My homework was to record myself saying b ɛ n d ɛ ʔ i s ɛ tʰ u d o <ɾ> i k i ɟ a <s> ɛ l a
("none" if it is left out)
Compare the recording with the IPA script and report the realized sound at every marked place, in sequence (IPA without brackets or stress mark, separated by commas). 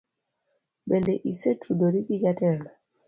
ɾ, t